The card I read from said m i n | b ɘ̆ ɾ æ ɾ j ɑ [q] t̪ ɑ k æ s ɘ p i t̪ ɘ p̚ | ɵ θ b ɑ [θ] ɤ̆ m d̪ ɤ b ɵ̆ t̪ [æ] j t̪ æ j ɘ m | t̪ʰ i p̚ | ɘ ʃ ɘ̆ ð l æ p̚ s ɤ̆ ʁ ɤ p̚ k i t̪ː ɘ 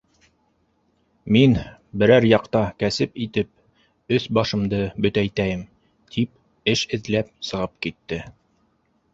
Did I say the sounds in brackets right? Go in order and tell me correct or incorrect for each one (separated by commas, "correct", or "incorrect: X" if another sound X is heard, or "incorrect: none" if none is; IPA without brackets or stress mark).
correct, incorrect: ʃ, correct